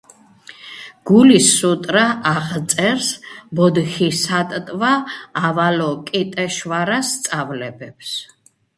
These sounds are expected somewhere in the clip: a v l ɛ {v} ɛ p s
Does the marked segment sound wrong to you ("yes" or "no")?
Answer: yes